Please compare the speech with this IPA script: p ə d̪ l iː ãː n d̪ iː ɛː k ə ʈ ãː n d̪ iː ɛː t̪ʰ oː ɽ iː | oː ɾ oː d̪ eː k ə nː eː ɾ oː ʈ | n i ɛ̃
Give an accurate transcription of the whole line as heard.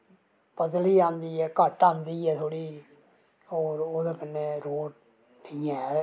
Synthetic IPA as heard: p ə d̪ l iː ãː n d̪ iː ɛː k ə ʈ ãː n d̪ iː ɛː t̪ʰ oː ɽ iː | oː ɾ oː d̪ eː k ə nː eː ɾ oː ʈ | n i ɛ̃